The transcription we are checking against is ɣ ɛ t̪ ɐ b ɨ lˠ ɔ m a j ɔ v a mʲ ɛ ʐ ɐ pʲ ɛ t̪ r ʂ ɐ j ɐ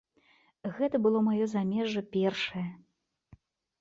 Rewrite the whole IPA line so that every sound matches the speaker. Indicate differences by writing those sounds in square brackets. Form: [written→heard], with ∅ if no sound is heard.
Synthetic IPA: ɣ ɛ t̪ ɐ b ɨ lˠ ɔ m a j ɔ [v→z] a mʲ ɛ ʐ ɐ pʲ ɛ [t̪→∅] r ʂ ɐ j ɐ